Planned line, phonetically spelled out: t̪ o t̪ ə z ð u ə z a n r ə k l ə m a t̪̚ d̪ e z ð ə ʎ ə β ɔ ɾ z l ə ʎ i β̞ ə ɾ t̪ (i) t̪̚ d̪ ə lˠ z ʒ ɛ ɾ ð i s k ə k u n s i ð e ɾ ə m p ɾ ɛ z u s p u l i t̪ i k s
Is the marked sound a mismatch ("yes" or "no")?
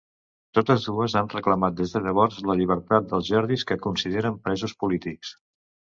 yes